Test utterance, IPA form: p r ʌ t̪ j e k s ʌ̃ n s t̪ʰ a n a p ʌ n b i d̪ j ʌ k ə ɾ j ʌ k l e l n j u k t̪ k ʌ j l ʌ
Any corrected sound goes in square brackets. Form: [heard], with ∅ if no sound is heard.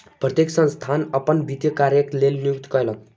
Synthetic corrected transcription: p r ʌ t̪ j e k s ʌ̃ n s t̪ʰ a n [ʌ] p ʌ n b i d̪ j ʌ k [a] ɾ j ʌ k l e l n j u k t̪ k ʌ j l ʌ